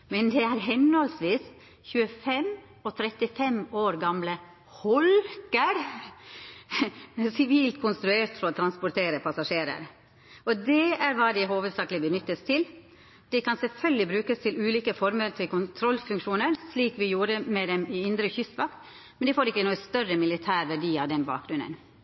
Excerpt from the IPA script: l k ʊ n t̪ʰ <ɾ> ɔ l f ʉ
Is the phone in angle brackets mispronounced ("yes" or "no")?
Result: no